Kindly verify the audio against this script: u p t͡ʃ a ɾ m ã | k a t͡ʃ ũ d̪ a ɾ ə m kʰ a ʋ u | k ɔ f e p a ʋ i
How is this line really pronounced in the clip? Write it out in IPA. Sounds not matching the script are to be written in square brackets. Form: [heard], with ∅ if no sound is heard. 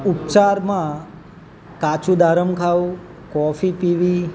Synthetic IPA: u p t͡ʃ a ɾ m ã | k a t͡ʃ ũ d̪ a ɾ ə m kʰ a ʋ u | k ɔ f [i] p [i] ʋ i